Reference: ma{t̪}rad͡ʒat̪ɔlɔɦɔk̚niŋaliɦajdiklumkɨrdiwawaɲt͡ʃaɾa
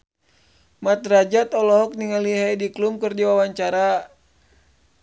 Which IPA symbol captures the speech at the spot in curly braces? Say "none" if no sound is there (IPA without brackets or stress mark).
t̪